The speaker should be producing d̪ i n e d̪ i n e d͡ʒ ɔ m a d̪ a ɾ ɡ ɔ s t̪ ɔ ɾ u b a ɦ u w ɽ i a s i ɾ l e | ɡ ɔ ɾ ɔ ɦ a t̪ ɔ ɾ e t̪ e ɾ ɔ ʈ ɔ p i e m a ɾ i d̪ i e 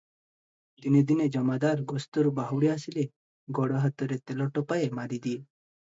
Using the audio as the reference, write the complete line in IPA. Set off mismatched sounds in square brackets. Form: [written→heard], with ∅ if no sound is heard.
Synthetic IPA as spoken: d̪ i n e d̪ i n e d͡ʒ ɔ m a d̪ a ɾ ɡ ɔ s t̪ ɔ ɾ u b a ɦ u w ɽ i a s i [ɾ→∅] l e | ɡ ɔ [ɾ→ɽ] ɔ ɦ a t̪ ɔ ɾ e t̪ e [ɾ→l] ɔ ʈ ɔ p [i→a] e m a ɾ i d̪ i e